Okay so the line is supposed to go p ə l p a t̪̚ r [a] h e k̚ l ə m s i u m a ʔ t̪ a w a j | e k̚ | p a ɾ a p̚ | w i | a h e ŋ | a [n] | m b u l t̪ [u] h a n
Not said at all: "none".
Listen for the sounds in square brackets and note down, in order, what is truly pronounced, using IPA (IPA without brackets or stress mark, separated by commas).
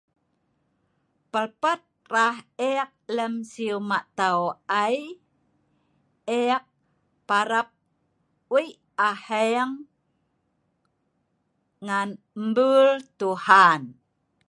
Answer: a, n, u